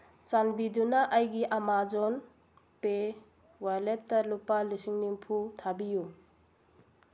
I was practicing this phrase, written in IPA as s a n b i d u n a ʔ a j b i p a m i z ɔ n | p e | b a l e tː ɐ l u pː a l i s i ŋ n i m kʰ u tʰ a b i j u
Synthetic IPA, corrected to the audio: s a n b i d u n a ʔ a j ɡ i ʔ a m a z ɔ n | p e | w a l e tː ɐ l u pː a l i s i ŋ n i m pʰ u tʰ a b i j u